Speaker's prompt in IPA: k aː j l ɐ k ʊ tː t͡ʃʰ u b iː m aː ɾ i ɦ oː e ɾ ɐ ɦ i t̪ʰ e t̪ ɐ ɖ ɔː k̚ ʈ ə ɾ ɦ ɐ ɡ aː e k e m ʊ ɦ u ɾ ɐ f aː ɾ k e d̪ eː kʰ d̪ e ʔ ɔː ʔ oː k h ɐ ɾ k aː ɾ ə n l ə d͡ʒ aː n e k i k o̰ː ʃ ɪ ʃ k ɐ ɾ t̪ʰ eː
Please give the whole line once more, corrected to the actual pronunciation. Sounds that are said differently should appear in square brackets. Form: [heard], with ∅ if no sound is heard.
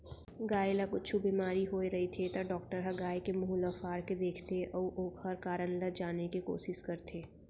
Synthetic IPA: [ɡ] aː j l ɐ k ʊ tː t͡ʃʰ u b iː m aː ɾ i ɦ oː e ɾ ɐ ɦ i t̪ʰ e t̪ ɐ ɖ ɔː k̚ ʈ ə ɾ ɦ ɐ ɡ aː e k e m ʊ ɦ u [l] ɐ f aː ɾ k e d̪ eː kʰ [t̪] e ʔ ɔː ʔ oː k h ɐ ɾ k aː ɾ ə n l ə d͡ʒ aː n e k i k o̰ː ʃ ɪ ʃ k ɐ ɾ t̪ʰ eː